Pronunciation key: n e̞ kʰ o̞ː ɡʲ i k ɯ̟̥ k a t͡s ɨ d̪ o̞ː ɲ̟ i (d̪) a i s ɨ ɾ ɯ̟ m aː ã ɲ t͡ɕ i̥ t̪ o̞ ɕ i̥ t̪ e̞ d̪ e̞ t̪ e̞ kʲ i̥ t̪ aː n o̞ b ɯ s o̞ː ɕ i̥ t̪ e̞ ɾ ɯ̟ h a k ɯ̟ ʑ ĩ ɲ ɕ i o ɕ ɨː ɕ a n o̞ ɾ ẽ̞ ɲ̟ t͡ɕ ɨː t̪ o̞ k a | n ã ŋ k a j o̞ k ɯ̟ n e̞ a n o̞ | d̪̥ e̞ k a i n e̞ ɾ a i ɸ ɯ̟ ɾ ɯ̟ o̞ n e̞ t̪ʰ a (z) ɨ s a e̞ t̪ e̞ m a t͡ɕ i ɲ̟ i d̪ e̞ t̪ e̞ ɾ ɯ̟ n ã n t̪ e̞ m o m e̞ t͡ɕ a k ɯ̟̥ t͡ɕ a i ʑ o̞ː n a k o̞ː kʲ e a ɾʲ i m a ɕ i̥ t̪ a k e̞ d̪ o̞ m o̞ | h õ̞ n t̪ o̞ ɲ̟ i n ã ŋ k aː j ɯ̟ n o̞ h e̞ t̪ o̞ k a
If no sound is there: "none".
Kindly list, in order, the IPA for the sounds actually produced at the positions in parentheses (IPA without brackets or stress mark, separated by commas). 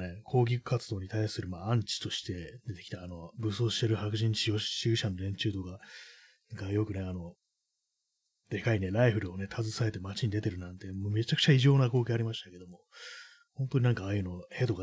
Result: t̪, z